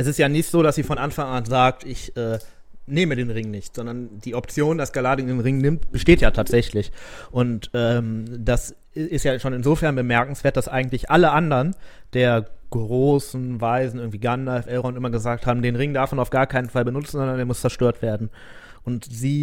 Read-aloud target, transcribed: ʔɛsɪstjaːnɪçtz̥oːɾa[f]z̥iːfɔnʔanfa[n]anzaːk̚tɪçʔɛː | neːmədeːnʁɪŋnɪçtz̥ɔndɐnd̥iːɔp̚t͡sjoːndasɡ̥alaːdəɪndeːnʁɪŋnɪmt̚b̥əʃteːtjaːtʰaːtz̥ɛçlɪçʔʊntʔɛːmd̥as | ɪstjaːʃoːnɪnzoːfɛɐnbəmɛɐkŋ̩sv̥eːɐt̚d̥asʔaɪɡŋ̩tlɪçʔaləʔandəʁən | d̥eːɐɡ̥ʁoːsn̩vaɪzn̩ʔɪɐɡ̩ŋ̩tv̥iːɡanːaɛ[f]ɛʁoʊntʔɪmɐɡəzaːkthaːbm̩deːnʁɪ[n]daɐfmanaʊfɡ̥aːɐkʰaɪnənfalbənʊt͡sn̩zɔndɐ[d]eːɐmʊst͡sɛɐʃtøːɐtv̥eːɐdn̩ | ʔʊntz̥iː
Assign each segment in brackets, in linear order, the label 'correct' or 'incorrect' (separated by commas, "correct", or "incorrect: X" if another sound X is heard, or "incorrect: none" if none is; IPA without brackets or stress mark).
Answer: incorrect: s, incorrect: ŋ, correct, incorrect: ŋ, incorrect: n